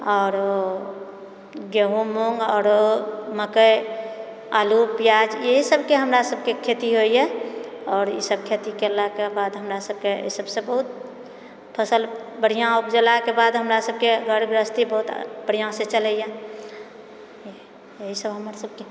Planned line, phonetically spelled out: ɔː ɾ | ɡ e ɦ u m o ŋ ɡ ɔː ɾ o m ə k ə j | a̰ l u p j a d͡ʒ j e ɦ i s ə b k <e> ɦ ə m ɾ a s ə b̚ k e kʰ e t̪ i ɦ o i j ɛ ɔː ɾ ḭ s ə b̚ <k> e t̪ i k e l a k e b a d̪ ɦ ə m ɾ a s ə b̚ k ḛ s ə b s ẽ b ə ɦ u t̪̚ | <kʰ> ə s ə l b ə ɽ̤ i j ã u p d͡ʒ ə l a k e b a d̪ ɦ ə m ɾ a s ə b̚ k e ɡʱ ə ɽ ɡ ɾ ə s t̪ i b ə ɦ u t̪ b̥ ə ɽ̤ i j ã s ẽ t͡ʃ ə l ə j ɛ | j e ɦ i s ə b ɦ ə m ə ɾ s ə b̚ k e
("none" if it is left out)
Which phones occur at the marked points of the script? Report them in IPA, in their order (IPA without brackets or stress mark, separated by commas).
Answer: e, kʰ, pʰ